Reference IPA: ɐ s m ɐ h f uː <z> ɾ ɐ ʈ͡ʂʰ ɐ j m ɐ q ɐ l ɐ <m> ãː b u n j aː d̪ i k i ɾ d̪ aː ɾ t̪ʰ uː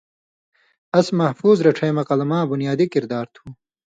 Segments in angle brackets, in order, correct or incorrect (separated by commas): correct, correct